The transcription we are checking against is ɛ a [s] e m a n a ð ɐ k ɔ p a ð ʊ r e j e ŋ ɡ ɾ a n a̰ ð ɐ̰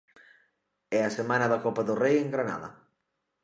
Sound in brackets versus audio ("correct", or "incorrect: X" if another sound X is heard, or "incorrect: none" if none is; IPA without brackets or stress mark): correct